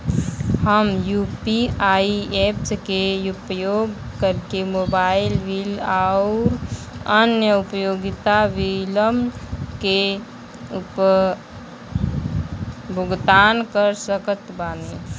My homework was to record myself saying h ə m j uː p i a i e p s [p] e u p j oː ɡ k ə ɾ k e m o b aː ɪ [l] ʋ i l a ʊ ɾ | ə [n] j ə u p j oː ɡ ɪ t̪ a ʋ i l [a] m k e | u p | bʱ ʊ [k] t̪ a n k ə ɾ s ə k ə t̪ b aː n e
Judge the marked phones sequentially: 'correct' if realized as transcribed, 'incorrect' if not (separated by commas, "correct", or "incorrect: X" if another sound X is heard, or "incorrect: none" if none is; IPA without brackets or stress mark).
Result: incorrect: k, correct, correct, incorrect: ə, incorrect: ɡ